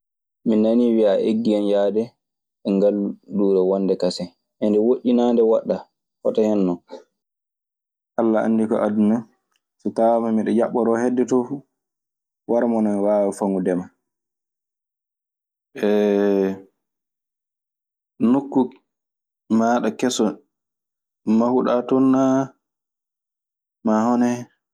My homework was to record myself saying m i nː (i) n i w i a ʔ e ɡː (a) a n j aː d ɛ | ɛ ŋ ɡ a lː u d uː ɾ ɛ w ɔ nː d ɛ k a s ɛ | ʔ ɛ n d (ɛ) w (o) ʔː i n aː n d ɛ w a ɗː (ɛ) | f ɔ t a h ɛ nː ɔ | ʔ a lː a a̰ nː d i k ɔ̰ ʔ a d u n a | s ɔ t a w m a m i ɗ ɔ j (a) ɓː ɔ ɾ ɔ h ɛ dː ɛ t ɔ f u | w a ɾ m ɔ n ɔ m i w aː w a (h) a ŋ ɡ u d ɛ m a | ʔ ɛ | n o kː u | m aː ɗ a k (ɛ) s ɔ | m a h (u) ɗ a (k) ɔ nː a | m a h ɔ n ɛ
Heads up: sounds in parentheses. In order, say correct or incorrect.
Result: incorrect: a, incorrect: i, correct, correct, incorrect: a, correct, incorrect: f, correct, correct, incorrect: t

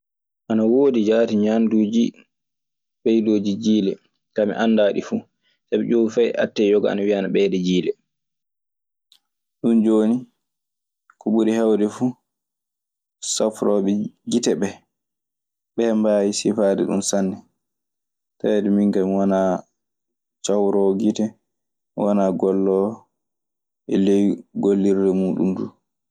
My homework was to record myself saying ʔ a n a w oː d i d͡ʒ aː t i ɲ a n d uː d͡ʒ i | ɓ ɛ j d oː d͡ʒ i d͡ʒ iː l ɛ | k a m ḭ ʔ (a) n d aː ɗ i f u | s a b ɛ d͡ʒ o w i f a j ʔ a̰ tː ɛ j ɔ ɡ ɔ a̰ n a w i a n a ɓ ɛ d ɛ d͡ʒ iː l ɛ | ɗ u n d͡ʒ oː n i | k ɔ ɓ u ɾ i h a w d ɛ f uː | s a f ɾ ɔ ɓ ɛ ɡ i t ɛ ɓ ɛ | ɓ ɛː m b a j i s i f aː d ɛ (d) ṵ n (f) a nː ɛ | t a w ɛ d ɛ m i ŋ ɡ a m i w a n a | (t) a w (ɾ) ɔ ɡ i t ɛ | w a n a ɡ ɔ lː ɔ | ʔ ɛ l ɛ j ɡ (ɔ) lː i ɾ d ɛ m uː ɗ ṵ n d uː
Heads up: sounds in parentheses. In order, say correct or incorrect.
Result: correct, incorrect: ɗ, incorrect: s, incorrect: t͡ʃ, correct, incorrect: o

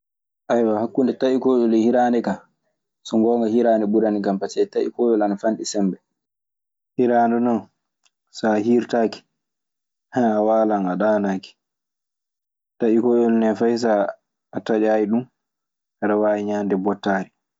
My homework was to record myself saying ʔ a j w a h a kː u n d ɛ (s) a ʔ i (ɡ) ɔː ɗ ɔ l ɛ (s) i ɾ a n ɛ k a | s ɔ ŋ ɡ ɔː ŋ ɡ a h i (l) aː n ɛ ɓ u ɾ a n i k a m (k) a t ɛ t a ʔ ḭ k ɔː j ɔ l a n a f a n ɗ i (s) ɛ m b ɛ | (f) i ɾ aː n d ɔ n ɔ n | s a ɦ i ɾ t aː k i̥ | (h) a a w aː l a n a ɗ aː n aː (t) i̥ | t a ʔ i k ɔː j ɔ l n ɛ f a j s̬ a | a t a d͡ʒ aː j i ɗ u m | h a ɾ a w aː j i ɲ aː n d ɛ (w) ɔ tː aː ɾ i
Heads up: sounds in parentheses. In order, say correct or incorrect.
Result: incorrect: t, incorrect: k, incorrect: h, incorrect: ɾ, incorrect: p, correct, incorrect: h, correct, incorrect: k, incorrect: b

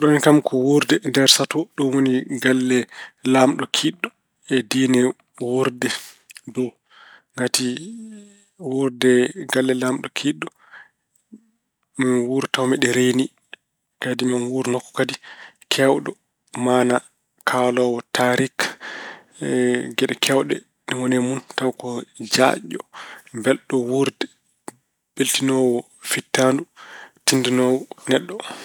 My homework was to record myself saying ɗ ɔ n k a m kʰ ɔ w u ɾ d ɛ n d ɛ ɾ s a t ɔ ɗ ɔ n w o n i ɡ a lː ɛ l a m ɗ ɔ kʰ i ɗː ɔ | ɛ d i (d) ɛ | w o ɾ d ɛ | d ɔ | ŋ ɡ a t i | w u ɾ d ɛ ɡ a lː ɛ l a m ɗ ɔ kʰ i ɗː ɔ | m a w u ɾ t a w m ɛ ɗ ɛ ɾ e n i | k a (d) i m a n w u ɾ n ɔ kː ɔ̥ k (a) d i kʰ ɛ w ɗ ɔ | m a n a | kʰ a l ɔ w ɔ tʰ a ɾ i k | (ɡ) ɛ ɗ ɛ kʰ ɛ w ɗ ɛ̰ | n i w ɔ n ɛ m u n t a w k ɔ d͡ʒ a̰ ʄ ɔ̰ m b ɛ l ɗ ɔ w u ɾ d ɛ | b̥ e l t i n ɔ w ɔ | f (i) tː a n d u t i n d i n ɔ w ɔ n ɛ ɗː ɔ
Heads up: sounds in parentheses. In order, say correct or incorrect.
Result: incorrect: n, correct, correct, correct, correct

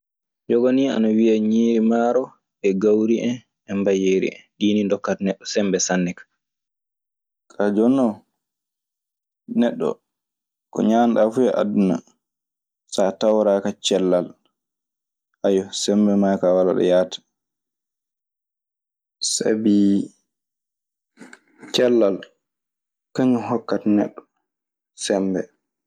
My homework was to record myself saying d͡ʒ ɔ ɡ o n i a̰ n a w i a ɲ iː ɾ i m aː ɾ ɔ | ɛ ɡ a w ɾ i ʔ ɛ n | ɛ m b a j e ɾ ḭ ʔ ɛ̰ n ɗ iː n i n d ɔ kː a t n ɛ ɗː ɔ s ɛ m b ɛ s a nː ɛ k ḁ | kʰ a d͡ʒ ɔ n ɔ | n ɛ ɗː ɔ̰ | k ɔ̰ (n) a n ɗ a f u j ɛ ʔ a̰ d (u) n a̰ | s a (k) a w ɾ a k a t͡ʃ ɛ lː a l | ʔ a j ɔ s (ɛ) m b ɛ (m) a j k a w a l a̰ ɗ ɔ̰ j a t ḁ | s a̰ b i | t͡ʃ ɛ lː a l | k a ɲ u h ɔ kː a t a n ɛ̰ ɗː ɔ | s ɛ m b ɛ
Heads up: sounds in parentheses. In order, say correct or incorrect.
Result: incorrect: ɲ, correct, incorrect: t, correct, correct

